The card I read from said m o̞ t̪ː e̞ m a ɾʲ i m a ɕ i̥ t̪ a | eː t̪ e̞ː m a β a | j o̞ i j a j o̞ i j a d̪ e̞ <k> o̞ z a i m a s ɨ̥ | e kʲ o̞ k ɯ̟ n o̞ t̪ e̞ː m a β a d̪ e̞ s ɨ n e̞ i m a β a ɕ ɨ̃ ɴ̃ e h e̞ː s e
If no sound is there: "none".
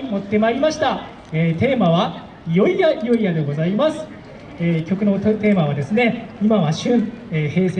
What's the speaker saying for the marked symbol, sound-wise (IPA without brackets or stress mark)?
ɡ